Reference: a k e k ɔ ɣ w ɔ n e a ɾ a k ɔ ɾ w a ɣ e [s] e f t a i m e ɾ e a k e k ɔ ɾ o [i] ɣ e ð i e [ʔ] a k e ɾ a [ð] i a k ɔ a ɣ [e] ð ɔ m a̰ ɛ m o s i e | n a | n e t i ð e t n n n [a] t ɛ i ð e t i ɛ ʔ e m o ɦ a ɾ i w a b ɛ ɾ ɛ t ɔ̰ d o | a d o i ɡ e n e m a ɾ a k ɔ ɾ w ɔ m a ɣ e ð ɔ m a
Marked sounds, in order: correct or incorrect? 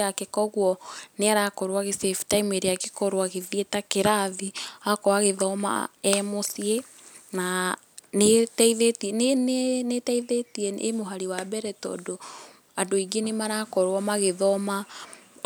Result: correct, incorrect: a, incorrect: t, correct, correct, incorrect: e

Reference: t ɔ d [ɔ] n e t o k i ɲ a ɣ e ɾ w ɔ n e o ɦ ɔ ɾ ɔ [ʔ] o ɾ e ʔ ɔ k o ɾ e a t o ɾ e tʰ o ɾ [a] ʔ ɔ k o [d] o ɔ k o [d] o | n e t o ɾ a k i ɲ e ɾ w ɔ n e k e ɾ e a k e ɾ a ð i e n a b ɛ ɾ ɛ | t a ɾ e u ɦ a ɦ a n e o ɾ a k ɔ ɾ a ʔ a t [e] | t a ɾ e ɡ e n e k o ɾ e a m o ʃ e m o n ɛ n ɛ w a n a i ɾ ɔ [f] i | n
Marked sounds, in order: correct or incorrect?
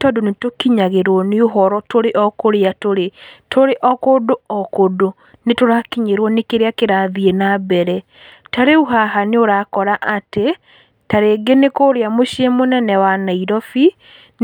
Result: incorrect: o, incorrect: t, incorrect: e, correct, correct, correct, correct

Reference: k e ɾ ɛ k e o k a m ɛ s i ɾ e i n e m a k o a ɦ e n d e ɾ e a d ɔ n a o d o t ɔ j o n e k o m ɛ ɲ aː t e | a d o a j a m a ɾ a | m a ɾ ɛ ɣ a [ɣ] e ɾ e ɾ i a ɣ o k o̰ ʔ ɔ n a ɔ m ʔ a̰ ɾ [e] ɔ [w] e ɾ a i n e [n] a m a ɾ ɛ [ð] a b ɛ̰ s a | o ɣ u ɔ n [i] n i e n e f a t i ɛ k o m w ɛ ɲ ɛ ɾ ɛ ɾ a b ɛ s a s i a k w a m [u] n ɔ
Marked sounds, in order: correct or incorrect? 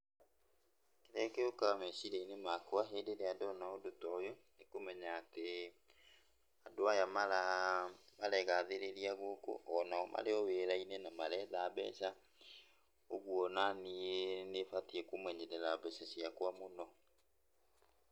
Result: incorrect: ð, correct, correct, correct, correct, incorrect: a, incorrect: o

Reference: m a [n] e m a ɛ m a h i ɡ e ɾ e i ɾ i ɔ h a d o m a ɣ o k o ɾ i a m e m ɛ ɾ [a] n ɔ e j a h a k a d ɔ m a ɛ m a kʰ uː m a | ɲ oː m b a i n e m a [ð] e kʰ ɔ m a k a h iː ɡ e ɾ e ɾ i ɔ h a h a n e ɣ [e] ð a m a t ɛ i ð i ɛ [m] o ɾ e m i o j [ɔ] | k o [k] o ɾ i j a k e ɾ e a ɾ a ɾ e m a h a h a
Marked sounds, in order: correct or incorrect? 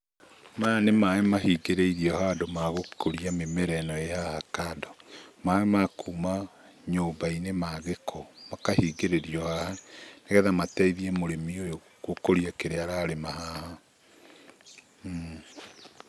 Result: correct, incorrect: ɛ, incorrect: ɣ, incorrect: ɛ, correct, incorrect: o, correct

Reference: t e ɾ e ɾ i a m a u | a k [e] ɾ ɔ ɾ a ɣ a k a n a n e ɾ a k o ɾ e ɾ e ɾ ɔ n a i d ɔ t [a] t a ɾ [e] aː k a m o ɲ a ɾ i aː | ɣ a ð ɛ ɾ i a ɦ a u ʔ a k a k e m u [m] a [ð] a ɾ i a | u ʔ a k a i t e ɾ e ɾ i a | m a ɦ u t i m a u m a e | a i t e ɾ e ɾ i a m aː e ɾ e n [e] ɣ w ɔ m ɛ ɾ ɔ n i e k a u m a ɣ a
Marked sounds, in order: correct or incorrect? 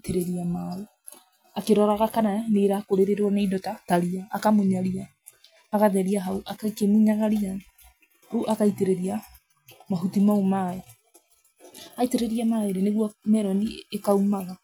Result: correct, correct, incorrect: i, incorrect: ɲ, incorrect: ɣ, correct

